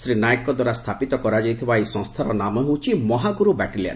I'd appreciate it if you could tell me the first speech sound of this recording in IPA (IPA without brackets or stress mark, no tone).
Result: s